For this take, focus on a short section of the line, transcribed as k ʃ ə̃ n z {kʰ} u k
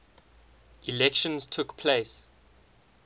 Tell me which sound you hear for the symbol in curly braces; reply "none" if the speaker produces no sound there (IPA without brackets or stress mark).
tʰ